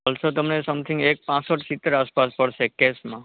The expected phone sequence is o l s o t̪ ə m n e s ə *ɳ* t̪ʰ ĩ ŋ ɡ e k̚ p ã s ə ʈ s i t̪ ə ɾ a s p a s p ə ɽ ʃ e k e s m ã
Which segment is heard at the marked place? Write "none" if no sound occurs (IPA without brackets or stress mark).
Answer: m